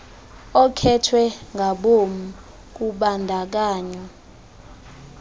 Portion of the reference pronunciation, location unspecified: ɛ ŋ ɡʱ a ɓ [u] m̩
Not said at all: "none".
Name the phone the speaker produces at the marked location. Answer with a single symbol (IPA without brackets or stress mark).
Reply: o